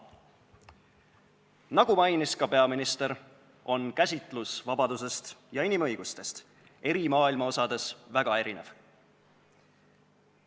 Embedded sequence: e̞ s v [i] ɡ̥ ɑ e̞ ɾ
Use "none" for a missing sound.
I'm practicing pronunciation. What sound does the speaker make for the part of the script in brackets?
æ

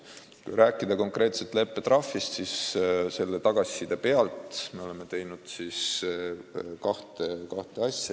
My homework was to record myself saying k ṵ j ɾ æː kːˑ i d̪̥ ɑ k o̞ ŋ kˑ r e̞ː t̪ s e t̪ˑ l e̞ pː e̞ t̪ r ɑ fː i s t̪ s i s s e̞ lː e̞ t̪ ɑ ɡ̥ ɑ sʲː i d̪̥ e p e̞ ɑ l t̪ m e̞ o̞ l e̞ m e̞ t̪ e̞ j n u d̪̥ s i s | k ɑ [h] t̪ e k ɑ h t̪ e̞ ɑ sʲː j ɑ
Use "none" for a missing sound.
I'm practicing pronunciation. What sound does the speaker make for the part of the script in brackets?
h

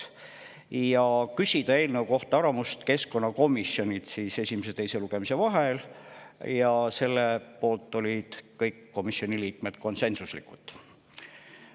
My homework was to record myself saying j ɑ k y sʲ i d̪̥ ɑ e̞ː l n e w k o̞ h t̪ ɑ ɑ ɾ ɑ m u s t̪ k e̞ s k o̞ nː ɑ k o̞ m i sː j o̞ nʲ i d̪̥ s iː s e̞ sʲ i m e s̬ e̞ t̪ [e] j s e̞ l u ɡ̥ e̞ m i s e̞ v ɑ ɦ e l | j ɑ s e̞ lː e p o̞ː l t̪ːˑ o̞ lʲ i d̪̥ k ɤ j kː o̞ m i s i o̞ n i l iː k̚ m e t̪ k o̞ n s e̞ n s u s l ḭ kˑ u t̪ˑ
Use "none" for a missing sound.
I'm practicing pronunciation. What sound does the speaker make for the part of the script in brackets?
e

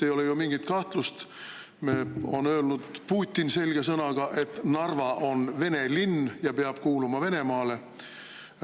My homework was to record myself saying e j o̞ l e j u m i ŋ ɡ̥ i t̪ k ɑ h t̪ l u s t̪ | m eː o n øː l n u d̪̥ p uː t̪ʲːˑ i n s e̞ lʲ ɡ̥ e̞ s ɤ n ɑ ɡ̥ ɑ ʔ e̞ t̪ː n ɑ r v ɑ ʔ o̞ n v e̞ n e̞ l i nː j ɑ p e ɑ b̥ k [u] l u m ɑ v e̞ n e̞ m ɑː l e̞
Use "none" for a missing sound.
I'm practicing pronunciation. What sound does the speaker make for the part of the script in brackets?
uː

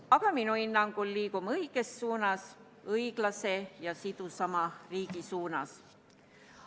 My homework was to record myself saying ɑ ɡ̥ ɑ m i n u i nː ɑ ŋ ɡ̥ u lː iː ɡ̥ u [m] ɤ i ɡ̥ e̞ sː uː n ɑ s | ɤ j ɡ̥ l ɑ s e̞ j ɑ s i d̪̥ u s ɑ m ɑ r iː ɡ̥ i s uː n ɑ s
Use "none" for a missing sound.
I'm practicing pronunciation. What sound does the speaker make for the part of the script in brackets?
m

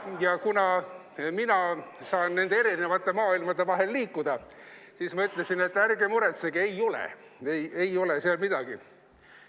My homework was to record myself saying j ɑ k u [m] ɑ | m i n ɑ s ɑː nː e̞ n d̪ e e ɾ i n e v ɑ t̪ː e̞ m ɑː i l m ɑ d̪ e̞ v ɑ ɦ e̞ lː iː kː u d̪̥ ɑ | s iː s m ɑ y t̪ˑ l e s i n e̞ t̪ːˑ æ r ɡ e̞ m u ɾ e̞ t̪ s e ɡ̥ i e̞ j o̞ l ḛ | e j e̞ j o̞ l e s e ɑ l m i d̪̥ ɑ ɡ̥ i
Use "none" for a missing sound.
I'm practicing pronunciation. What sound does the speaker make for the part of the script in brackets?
n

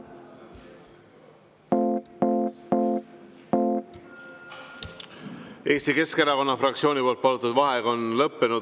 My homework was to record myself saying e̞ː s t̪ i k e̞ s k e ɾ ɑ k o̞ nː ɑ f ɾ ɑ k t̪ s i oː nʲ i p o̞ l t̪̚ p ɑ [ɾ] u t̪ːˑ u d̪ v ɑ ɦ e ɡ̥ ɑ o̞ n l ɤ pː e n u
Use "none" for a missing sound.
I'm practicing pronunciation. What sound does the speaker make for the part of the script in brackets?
l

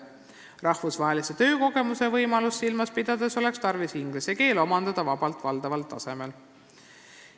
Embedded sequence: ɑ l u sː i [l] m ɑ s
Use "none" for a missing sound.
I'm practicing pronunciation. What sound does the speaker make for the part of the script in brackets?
l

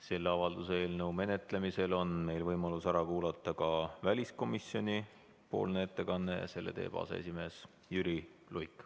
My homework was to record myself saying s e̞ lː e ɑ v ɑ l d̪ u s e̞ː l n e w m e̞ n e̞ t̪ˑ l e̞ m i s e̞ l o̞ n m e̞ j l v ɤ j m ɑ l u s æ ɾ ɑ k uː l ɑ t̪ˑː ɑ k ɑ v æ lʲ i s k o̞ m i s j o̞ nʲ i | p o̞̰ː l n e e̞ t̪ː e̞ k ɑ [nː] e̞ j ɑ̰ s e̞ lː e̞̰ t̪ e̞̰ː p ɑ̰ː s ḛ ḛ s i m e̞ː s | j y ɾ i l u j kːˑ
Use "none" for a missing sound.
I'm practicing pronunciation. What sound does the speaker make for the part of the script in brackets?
nː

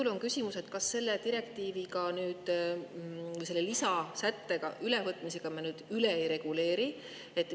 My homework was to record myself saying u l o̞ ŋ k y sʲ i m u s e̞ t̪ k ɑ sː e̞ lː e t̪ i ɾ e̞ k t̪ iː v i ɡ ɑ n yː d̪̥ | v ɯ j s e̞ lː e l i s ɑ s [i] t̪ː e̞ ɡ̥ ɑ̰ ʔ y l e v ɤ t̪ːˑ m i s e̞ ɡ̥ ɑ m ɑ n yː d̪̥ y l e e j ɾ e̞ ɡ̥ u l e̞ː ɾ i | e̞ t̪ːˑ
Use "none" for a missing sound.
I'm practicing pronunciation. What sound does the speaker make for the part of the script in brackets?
æ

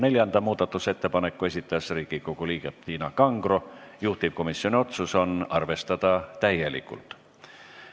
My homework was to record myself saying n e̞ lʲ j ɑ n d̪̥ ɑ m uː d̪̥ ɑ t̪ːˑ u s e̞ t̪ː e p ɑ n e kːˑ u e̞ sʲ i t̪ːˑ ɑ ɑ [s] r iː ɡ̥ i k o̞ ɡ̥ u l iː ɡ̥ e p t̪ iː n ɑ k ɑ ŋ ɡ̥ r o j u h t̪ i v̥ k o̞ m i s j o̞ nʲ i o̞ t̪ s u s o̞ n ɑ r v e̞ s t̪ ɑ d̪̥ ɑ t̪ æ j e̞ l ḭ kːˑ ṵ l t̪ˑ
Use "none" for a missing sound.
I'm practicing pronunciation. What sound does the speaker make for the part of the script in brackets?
s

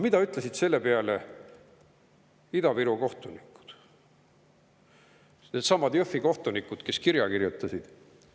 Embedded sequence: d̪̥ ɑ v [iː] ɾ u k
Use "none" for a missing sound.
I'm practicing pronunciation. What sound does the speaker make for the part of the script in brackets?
i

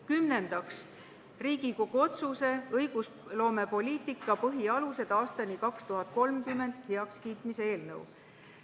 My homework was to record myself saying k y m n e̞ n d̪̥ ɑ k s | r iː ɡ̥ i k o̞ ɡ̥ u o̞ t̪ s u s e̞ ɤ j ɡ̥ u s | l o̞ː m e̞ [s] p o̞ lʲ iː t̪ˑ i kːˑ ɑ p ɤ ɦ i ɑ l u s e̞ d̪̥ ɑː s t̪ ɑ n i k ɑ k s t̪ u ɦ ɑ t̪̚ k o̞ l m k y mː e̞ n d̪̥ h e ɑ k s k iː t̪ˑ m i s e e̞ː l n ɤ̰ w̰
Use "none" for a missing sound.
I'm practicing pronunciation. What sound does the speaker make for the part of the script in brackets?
none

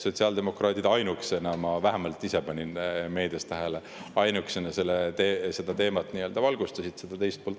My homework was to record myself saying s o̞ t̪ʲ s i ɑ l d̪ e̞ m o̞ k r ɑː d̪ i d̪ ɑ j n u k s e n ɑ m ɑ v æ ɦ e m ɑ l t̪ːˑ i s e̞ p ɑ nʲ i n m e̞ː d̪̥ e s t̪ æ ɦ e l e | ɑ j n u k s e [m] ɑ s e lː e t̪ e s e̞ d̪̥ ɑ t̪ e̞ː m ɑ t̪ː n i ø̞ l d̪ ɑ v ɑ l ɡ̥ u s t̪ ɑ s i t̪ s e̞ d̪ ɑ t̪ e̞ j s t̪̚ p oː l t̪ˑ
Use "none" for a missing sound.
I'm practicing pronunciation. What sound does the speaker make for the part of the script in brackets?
n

